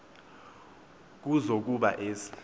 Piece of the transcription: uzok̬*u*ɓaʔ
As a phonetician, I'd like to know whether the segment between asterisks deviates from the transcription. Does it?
no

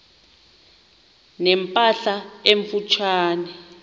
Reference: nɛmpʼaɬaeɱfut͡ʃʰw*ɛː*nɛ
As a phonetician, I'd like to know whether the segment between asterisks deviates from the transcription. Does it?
yes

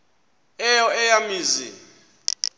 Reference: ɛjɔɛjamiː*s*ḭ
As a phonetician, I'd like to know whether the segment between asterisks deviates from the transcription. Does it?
yes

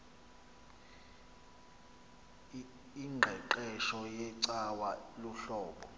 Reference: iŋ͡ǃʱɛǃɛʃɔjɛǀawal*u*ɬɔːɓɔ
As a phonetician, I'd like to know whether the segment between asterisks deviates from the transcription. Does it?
no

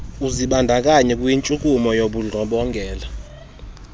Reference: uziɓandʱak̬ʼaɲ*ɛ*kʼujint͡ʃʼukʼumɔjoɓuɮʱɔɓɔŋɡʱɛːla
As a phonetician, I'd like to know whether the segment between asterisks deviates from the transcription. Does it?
no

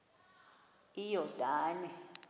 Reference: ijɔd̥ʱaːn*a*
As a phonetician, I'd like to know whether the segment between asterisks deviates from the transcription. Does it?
yes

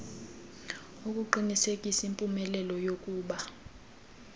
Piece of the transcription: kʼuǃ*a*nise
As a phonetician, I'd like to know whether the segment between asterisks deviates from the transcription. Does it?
yes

